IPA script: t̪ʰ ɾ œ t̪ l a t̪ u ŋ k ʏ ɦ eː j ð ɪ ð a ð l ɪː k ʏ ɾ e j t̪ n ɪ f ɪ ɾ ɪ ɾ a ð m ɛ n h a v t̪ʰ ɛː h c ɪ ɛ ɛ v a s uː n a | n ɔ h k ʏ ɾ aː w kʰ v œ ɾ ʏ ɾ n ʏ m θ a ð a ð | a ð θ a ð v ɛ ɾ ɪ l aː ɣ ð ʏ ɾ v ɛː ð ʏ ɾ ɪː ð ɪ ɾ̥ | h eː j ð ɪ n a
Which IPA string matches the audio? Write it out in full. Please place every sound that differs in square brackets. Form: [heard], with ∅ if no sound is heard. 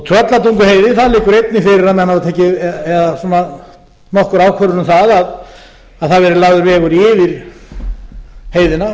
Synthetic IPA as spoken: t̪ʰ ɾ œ t̪ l a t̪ u ŋ k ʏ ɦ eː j ð ɪ [θ] a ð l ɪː k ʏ ɾ e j t̪ n ɪ f ɪ ɾ ɪ ɾ a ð m ɛ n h a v t̪ʰ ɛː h c ɪ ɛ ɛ [ð] a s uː n a | n ɔ h k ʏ ɾ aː w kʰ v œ ɾ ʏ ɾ n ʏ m θ a ð a ð | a ð θ a ð v ɛ ɾ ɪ l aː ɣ ð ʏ ɾ v ɛː [ɣ] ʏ ɾ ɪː [v] ɪ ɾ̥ | h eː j ð ɪ n a